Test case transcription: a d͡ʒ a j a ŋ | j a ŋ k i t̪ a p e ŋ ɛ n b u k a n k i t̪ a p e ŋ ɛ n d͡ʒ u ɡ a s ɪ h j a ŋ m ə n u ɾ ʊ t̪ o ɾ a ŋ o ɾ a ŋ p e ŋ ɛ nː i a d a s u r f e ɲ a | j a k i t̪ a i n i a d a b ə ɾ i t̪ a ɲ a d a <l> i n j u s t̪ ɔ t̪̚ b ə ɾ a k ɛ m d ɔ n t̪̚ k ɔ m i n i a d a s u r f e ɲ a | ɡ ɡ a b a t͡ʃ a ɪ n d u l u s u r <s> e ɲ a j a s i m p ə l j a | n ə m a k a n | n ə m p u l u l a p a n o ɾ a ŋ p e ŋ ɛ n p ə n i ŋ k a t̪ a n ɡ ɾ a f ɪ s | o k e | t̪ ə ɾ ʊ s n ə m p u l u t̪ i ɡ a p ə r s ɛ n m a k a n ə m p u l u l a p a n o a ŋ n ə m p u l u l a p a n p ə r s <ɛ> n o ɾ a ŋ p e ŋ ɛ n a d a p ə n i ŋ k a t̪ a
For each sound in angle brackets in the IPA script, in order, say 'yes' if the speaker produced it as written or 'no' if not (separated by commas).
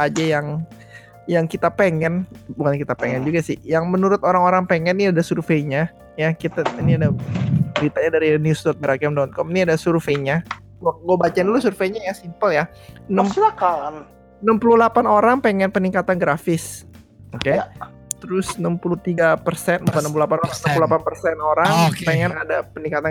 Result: no, no, yes